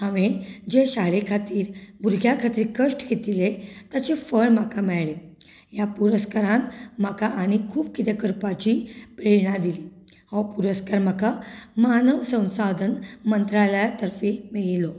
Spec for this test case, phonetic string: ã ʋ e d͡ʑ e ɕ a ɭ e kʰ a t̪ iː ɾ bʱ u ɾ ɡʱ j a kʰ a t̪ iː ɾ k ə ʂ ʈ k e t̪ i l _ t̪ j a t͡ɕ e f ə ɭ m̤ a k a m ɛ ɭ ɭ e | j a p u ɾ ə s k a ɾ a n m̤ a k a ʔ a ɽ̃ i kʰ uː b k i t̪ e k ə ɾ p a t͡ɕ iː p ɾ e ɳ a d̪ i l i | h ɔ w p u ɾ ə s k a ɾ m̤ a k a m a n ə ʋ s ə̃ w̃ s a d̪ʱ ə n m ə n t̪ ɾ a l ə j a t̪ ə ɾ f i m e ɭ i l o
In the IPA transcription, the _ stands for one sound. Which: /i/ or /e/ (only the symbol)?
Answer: e